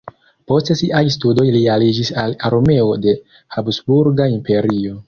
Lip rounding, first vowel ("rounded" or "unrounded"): rounded